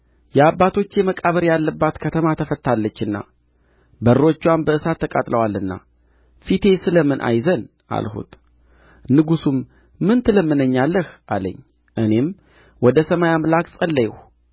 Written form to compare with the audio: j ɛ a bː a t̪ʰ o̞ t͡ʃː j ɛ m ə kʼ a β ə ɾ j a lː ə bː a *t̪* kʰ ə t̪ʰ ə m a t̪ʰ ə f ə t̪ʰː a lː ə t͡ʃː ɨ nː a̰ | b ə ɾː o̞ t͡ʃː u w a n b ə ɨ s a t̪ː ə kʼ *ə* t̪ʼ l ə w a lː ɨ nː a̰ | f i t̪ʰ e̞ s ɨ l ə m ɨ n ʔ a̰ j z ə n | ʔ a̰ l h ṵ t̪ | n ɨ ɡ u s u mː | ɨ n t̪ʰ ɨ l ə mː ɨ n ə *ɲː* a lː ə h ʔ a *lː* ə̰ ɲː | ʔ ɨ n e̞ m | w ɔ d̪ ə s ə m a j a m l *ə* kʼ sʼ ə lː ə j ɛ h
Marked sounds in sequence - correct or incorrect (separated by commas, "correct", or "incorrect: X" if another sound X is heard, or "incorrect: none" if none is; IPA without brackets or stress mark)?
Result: correct, incorrect: a, correct, incorrect: l, incorrect: a